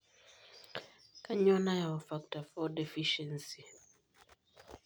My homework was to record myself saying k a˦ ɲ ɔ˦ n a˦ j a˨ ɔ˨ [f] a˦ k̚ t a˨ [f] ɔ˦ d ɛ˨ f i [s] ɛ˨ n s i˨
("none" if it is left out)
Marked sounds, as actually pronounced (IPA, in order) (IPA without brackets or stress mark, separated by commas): f, f, ʃ